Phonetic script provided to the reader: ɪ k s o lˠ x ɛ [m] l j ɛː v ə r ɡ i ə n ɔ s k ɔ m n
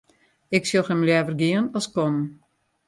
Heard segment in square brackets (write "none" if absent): m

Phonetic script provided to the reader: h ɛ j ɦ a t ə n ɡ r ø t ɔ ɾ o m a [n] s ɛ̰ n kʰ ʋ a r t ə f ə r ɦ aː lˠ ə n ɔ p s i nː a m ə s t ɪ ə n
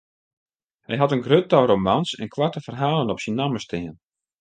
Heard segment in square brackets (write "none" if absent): n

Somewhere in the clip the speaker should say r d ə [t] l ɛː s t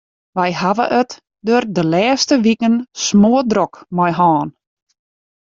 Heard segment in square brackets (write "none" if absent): none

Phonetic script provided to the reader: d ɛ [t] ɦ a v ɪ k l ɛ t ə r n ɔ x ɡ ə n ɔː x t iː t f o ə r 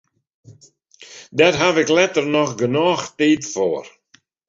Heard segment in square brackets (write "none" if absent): t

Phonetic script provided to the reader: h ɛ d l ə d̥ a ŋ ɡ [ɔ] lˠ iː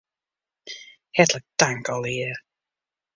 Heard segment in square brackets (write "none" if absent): ɔ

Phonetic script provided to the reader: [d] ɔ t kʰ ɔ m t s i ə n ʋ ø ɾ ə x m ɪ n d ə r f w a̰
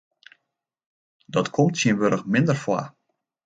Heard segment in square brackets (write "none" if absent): d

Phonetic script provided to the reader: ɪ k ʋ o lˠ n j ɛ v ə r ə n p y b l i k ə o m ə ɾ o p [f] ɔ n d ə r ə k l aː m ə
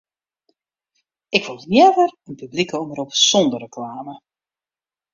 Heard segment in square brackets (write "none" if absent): s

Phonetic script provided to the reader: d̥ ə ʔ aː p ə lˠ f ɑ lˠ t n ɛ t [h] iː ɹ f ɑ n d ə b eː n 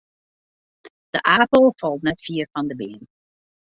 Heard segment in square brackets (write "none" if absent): f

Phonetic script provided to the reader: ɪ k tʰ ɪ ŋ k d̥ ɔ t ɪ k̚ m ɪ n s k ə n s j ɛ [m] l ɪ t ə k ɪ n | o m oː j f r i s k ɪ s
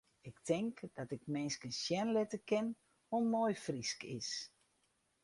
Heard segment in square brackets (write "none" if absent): n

